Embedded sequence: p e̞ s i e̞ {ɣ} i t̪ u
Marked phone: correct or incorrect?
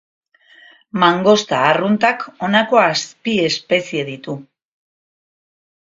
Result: incorrect